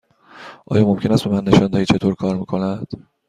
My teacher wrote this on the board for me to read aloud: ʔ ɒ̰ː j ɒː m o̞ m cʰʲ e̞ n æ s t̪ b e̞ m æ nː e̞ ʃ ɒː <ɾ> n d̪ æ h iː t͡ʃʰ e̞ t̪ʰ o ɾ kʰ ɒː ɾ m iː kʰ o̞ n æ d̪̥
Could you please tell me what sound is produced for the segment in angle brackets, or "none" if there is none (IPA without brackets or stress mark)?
none